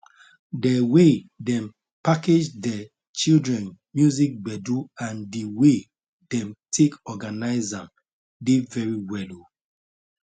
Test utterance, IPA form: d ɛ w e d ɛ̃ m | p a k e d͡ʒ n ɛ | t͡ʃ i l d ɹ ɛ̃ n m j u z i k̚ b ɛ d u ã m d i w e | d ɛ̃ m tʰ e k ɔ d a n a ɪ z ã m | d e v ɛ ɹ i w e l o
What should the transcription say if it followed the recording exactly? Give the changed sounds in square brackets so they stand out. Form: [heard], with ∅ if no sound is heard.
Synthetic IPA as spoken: d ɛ w e d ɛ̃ m | p a k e d͡ʒ [d] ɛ | t͡ʃ i l d ɹ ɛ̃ n m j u z i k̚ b ɛ d u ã [n] d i w e | d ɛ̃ m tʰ e k ɔ [ɡ] a n a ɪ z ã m | d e v ɛ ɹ i w [ɛ] l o